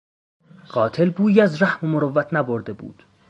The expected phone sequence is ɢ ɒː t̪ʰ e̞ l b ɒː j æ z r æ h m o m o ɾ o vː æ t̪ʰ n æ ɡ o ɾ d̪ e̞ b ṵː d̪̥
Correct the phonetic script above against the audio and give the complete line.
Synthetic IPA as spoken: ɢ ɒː t̪ʰ e̞ l b uː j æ z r æ h m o m o ɾ o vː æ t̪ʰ n æ b o ɾ d̪ e̞ b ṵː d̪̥